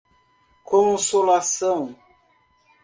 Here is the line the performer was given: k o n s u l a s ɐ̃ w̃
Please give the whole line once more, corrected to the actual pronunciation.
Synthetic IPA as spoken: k õ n s o l a s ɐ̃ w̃